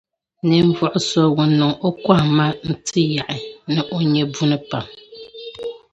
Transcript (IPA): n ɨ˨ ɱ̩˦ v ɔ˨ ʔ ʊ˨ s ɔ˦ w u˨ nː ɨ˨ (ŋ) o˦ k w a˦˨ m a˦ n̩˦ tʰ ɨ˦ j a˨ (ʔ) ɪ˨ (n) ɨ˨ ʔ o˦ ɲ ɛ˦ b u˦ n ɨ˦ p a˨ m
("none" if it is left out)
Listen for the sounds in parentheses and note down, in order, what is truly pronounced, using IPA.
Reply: ŋ, ʔ, n

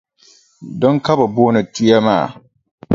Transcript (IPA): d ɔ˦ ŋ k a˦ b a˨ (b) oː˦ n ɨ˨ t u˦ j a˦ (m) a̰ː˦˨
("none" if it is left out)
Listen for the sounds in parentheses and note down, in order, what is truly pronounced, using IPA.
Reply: b, m

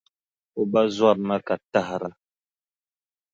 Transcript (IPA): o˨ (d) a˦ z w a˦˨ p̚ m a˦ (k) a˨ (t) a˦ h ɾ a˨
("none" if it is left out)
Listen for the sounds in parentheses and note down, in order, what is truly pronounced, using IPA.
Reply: b, k, t

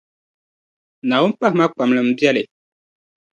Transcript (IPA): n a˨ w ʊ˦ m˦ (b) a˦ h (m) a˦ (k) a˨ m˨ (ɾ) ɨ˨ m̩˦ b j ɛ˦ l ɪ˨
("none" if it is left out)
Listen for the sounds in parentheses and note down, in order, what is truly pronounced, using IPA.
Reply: p, m, k͡p, l

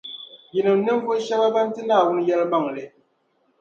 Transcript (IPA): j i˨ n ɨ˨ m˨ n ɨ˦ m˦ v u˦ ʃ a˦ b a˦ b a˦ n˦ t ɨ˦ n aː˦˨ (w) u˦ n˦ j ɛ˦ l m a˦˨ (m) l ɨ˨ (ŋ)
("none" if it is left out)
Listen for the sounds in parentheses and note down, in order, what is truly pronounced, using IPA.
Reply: w, ŋ, none

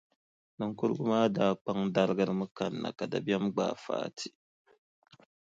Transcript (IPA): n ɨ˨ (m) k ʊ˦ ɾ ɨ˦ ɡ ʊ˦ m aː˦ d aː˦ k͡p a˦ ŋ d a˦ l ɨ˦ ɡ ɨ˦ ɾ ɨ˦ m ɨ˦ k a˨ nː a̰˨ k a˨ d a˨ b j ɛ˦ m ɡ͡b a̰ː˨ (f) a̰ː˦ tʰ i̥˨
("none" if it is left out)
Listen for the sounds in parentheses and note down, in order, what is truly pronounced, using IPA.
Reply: ŋ, f

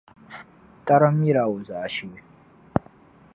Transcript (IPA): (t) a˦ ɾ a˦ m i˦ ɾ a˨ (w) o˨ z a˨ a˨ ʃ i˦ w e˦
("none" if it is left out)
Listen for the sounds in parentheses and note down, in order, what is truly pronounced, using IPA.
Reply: t, w

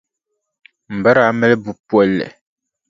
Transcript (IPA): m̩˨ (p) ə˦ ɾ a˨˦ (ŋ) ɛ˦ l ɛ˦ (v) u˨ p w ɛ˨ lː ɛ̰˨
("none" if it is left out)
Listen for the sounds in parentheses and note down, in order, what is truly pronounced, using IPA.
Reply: b, m, b

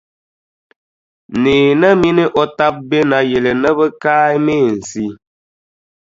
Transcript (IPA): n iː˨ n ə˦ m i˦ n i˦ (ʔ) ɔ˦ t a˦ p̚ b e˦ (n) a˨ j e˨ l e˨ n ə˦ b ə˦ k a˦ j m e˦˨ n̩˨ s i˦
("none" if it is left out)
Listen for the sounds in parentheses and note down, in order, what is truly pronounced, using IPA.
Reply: ʔ, n

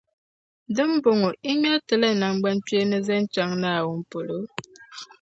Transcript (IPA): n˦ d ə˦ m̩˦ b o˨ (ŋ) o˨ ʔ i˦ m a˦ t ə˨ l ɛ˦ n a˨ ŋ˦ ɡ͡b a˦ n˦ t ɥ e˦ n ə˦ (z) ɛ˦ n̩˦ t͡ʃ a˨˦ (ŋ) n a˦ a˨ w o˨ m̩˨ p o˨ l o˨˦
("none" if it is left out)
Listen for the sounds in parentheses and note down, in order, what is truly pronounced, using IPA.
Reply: ŋ, z, ŋ

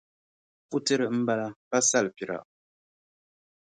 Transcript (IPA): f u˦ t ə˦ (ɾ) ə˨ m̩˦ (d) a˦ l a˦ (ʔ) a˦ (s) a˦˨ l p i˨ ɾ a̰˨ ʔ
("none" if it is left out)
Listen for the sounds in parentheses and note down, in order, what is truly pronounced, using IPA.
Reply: ɾ, b, p, s

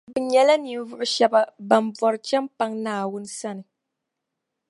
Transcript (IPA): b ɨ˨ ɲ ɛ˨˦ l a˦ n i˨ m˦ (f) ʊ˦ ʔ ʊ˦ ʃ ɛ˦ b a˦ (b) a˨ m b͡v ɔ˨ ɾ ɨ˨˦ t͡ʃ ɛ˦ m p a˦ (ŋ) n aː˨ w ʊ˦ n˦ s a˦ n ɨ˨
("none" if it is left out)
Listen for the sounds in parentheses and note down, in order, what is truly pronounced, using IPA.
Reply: v, b, ŋ

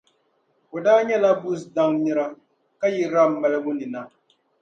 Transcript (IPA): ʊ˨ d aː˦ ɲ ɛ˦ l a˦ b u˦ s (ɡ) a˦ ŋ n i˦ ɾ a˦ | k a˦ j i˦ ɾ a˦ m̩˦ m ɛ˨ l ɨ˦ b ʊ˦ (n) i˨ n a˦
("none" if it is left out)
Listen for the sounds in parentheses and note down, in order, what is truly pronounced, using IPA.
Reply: d, n

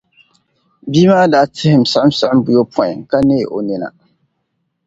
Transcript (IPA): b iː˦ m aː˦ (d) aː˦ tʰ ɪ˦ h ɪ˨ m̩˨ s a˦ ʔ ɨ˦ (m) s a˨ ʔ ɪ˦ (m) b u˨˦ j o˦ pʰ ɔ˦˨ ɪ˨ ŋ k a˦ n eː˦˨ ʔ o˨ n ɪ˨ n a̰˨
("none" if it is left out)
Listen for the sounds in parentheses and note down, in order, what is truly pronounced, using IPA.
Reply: d, m, m

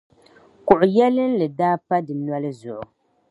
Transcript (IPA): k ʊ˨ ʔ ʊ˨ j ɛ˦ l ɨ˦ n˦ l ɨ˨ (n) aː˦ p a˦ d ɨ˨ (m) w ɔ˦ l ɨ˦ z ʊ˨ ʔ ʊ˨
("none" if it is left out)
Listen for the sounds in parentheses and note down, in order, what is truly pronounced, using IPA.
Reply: d, n

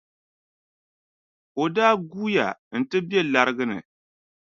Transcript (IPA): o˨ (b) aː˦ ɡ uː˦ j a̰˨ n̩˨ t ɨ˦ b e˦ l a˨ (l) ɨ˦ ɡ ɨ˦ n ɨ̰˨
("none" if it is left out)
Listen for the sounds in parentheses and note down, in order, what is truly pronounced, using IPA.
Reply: d, ɾ

